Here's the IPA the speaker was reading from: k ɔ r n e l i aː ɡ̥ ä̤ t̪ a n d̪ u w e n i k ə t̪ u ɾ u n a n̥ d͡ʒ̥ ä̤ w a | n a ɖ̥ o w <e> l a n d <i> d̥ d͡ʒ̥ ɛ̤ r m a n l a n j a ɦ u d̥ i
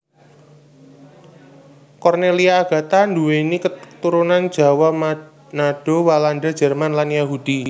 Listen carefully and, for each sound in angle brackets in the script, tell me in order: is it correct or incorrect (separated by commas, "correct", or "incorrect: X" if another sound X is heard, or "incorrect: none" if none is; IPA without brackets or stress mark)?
incorrect: a, incorrect: a